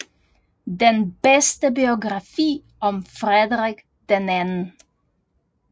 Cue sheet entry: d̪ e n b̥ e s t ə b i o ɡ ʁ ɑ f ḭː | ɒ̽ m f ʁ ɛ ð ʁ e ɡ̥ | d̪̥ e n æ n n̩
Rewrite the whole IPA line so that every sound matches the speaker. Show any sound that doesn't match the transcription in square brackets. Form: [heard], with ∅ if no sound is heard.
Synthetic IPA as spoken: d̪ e n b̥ e s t ə b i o ɡ ʁ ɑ f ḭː | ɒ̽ m f ʁ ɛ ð ʁ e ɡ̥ | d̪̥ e n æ n n̩